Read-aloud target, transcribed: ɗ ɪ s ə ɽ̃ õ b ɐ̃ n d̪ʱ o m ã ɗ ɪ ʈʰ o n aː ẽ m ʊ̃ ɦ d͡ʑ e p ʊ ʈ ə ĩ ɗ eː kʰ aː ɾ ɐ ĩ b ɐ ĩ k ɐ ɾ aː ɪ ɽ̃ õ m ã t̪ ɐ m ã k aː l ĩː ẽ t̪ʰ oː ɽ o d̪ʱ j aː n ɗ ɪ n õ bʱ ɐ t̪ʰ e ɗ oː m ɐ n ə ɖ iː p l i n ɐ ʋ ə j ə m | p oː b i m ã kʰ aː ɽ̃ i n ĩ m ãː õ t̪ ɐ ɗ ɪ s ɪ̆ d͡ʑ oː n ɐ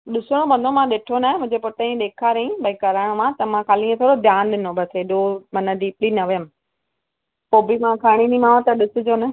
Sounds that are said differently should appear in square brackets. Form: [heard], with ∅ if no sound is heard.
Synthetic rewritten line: ɗ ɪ s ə ɽ̃ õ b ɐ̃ n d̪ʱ o m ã ɗ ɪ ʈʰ o n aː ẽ m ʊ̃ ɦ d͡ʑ e p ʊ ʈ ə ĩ ɗ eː kʰ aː ɾ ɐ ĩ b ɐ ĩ k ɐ ɾ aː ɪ ɽ̃ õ m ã t̪ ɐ m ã k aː l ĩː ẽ t̪ʰ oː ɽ o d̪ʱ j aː n ɗ ɪ n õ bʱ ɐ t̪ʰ e ɗ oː m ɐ n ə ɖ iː p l i n ɐ ʋ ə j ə m | p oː b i m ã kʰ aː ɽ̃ i n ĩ m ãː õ t̪ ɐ ɗ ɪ s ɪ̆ d͡ʑ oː n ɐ

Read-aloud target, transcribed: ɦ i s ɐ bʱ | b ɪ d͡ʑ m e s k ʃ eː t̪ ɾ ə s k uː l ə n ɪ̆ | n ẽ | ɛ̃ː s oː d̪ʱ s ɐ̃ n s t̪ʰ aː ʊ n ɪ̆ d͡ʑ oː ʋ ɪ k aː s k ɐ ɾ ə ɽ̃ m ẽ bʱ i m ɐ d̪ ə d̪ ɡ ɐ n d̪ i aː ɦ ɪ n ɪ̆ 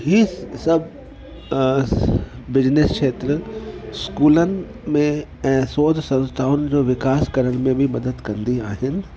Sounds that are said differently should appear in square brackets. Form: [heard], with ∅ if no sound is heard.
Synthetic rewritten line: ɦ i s ɐ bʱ | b ɪ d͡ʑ [n] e s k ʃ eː t̪ ɾ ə s k uː l ə n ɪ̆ | [m] ẽ | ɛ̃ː s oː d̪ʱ s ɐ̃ n s t̪ʰ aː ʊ n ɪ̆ d͡ʑ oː ʋ ɪ k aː s k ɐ ɾ ə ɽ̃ m ẽ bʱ i m ɐ d̪ ə d̪ [k] ɐ n d̪ i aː ɦ ɪ n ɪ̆

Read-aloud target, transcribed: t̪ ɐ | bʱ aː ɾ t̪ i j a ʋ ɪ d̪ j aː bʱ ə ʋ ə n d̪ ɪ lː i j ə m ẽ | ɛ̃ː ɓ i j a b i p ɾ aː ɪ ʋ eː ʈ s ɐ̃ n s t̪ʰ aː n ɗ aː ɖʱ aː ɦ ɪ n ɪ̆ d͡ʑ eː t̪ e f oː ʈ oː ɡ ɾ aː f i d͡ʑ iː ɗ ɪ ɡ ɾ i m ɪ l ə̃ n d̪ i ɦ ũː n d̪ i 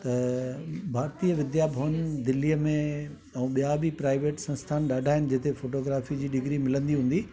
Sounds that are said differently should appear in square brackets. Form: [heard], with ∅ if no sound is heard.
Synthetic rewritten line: t̪ ɐ | bʱ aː ɾ t̪ i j [ə] ʋ ɪ d̪ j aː bʱ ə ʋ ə n d̪ ɪ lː i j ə m ẽ | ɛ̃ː ɓ i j a b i p ɾ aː ɪ ʋ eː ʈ s ɐ̃ n s t̪ʰ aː n ɗ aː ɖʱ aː ɦ ɪ n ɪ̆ d͡ʑ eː t̪ e f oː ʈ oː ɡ ɾ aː f i d͡ʑ iː ɗ ɪ ɡ ɾ i m ɪ l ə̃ n d̪ i ɦ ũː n d̪ i

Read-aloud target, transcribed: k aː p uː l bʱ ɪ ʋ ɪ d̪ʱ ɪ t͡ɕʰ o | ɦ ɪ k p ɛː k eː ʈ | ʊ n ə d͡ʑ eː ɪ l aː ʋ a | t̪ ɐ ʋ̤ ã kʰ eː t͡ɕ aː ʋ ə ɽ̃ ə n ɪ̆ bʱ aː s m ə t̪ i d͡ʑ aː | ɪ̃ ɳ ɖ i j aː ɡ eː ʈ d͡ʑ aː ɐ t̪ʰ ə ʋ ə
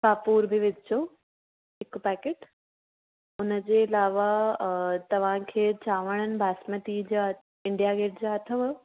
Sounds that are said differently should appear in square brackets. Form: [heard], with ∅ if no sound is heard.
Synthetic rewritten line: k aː p uː [ɾ] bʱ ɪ ʋ ɪ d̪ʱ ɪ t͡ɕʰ o | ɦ ɪ k p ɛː k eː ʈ | ʊ n ə d͡ʑ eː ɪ l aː ʋ a | t̪ ɐ ʋ̤ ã kʰ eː t͡ɕ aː ʋ ə ɽ̃ ə n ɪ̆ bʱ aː s m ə t̪ i d͡ʑ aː | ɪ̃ ɳ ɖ i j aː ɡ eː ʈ d͡ʑ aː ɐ t̪ʰ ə ʋ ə

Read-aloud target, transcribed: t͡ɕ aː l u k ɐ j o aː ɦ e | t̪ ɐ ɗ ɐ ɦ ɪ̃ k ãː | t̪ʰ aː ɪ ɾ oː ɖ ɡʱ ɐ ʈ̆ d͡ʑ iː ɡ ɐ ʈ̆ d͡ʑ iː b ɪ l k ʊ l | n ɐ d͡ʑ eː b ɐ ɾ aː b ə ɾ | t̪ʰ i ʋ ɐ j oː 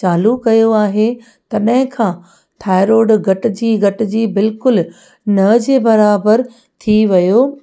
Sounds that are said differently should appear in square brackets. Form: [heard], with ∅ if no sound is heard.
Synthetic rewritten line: t͡ɕ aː l u k ɐ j o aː ɦ e | t̪ ɐ ɗ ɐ ɦ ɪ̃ [kʰ] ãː | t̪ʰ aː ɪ ɾ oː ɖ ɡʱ ɐ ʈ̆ d͡ʑ iː ɡ ɐ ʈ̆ d͡ʑ iː b ɪ l k ʊ l | n ɐ d͡ʑ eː b ɐ ɾ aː b ə ɾ | t̪ʰ i ʋ ɐ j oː

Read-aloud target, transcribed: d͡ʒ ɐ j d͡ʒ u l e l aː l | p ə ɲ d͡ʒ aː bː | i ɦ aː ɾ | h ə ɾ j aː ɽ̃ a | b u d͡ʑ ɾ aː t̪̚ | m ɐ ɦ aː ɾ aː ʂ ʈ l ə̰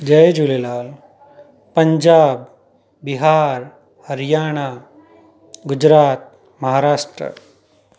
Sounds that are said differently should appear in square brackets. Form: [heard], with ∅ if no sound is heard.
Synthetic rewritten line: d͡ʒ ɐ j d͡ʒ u l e l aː l | p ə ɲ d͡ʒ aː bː | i ɦ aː ɾ | h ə ɾ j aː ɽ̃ a | [ɡ] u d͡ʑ ɾ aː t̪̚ | m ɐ ɦ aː ɾ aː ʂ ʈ [ɾ] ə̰

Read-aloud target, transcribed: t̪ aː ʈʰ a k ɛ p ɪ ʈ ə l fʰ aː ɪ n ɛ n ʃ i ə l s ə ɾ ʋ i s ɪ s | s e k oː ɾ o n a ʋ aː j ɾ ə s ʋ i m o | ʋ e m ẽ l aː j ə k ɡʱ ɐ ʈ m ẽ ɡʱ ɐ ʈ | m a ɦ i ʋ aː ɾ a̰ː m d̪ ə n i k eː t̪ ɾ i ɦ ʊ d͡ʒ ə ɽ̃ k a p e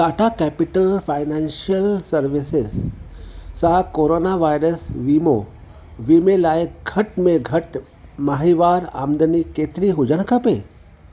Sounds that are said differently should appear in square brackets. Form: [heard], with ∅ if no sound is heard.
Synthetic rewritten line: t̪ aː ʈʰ a k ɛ p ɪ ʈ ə l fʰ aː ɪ n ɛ n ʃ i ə l s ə ɾ ʋ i s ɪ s | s [a] k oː ɾ o n a ʋ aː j ɾ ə s ʋ i m o | ʋ [i] m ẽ l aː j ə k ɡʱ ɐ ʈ m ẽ ɡʱ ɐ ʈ | m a ɦ i ʋ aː ɾ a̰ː m d̪ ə n i k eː t̪ ɾ i ɦ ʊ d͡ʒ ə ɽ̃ k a p e

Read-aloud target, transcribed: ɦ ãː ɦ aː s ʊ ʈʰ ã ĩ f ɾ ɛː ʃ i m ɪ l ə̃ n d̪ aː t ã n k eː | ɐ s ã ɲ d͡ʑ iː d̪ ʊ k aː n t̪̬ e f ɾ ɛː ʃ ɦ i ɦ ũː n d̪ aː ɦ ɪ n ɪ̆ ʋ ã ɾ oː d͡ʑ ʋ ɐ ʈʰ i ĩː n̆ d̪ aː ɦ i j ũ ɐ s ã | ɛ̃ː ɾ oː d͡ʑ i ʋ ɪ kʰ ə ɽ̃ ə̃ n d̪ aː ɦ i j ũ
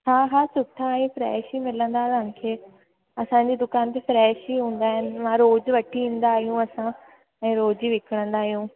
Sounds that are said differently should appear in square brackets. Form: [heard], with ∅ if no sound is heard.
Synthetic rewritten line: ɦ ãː ɦ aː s ʊ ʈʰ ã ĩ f ɾ ɛː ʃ i m ɪ l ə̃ n d̪ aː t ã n [kʰ] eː | ɐ s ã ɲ d͡ʑ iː d̪ ʊ k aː n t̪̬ e f ɾ ɛː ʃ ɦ i ɦ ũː n d̪ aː ɦ ɪ n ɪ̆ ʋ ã ɾ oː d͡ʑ ʋ ɐ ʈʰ i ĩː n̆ d̪ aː ɦ i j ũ ɐ s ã | ɛ̃ː ɾ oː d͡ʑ i ʋ ɪ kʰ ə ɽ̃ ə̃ n d̪ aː ɦ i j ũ

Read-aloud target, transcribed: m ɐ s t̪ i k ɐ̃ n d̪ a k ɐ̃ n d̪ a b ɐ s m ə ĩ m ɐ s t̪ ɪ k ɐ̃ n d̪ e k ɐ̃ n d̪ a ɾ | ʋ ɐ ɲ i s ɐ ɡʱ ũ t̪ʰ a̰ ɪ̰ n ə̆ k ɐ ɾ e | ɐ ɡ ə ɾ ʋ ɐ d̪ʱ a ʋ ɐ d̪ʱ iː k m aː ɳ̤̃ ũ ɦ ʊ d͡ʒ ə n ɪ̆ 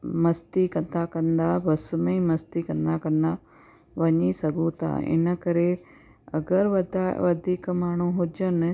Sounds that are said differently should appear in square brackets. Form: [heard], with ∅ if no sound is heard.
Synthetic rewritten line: m ɐ s t̪ i k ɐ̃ n d̪ a k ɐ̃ n d̪ a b ɐ s m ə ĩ m ɐ s t̪ [i] k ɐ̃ n d̪ [a] k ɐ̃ n d̪ a [∅] | ʋ ɐ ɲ i s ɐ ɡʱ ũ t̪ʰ a̰ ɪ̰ n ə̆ k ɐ ɾ e | ɐ ɡ ə ɾ ʋ ɐ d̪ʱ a ʋ ɐ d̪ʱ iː k m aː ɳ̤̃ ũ ɦ ʊ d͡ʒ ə n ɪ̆

